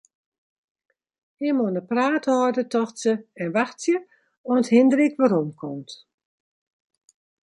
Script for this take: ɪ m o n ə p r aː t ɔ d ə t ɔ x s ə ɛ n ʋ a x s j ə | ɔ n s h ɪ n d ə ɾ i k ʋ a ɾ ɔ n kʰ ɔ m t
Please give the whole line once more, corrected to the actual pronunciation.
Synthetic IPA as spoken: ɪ m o n ə p r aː t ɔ d ə t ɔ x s ə ɛ n ʋ a x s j ə | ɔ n t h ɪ n d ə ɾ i k ʋ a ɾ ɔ m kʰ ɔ m t